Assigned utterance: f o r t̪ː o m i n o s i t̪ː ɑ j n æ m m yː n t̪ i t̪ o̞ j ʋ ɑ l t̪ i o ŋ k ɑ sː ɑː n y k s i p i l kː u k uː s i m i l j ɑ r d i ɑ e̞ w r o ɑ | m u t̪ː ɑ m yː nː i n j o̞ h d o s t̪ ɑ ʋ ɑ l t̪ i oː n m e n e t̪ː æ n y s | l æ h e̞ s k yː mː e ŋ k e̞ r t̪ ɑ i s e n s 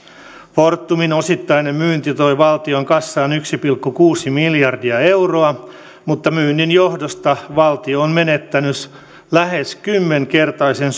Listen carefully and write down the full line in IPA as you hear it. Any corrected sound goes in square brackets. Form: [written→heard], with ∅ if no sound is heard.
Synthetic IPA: f o r t̪ː [o→u] m i n o s i t̪ː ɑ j n [æ→e] m m yː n t̪ i t̪ o̞ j ʋ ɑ l t̪ i o ŋ k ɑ sː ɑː n y k s i p i l kː u k uː s i m i l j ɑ r d i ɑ e̞ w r o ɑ | m u t̪ː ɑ m yː nː i n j o̞ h d o s t̪ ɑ ʋ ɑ l t̪ i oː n m e n e t̪ː æ n y s | l æ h e̞ s k [yː→y] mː e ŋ k e̞ r t̪ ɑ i s e n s